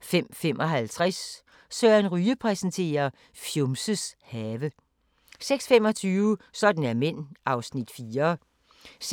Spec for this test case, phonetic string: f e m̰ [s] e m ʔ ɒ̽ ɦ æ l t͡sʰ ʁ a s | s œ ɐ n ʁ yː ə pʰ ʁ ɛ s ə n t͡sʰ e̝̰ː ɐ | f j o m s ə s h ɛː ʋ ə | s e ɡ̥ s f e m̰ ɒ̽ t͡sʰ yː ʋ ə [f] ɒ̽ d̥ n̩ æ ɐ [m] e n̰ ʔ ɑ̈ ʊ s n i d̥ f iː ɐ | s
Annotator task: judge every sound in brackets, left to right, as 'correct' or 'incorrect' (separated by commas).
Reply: incorrect, incorrect, correct